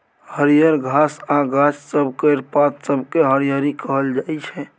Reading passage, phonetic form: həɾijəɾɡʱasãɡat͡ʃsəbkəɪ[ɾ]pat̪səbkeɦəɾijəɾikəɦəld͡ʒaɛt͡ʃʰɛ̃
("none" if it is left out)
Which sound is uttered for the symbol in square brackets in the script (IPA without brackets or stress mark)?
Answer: ɾ